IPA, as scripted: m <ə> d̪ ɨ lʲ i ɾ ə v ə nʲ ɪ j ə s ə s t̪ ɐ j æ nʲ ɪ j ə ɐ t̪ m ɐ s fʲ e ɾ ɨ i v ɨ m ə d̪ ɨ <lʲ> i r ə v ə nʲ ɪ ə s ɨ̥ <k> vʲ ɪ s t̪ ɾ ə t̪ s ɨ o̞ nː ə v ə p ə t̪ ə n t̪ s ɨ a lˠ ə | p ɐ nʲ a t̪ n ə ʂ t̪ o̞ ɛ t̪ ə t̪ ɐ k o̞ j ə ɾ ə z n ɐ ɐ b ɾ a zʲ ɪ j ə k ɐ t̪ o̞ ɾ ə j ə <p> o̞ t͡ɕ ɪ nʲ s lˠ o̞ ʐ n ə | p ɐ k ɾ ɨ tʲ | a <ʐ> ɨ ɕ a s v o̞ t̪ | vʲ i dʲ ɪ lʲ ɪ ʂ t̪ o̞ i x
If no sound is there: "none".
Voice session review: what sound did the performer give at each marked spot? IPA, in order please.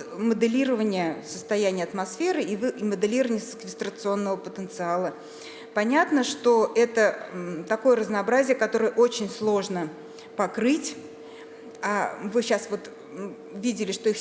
ə, lʲ, k, ʔ, v

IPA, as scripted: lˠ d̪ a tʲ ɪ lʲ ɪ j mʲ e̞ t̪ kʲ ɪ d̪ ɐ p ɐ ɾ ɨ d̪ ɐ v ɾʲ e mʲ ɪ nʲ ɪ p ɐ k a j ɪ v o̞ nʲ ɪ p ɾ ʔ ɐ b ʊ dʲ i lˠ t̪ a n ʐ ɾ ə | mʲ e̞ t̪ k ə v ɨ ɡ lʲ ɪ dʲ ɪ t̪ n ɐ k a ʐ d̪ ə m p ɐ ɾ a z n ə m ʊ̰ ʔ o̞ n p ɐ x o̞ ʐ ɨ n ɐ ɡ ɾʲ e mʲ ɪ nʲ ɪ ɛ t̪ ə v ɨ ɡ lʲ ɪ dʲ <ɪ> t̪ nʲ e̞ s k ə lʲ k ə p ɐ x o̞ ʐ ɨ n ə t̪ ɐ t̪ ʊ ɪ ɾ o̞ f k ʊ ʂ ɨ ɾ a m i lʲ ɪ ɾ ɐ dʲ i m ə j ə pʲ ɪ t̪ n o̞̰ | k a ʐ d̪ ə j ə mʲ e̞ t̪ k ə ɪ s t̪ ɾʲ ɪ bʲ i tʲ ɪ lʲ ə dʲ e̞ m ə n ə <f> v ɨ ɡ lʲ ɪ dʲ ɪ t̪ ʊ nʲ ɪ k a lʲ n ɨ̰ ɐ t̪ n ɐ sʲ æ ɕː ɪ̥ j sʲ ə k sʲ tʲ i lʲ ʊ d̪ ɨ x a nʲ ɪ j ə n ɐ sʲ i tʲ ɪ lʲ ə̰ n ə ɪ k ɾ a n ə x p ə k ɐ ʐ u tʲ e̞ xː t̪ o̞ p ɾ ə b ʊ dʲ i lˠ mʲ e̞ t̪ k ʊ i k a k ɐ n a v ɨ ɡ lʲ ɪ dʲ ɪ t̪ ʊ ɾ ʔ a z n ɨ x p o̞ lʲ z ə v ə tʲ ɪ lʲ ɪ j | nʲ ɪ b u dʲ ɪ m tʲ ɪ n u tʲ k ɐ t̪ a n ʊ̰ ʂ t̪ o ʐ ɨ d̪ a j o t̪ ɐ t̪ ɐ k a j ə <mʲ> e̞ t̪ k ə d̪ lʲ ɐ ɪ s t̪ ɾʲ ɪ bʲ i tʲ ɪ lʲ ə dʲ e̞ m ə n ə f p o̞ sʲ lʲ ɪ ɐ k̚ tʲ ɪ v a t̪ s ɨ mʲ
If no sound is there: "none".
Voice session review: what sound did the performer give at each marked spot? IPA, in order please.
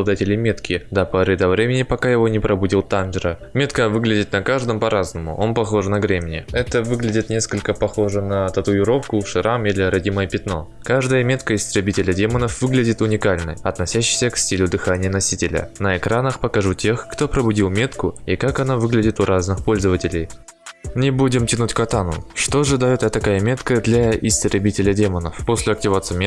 ɪ, f, mʲ

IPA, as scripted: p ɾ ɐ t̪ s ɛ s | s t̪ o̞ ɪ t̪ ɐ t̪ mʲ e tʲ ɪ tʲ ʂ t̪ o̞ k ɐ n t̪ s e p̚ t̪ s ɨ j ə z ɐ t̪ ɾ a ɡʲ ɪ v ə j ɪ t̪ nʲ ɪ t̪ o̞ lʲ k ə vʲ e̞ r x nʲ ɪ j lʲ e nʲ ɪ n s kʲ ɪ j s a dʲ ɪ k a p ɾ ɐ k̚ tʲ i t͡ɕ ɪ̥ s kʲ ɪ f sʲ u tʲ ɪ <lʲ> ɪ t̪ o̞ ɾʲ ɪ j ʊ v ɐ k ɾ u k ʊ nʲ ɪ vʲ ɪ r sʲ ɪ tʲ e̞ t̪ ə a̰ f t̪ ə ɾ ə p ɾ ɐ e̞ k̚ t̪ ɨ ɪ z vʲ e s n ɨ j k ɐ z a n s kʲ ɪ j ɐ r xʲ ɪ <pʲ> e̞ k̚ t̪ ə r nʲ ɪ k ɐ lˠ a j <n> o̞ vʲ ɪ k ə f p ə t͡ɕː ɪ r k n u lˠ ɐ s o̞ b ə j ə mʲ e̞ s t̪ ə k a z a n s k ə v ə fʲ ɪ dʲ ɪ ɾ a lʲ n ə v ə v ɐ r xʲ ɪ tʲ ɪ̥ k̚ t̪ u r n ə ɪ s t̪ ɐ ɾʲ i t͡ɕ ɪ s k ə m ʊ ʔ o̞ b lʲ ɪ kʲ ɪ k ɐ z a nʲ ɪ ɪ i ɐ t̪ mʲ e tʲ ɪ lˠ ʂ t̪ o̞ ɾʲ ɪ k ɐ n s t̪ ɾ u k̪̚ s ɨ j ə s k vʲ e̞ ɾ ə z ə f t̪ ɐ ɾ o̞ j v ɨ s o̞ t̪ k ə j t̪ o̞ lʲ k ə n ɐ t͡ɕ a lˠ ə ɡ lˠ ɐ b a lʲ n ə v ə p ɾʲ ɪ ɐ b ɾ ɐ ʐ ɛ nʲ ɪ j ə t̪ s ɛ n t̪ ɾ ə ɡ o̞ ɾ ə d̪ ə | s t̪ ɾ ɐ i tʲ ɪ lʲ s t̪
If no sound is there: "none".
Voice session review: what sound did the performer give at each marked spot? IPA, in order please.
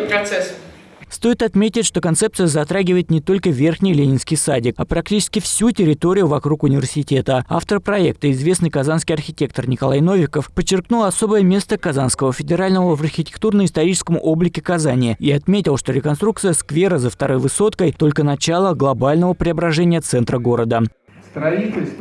ɾʲ, tʲ, n

